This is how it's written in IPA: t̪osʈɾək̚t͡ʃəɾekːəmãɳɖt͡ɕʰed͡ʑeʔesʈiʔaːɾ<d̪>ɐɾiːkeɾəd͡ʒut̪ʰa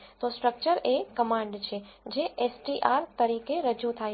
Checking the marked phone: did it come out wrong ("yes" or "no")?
yes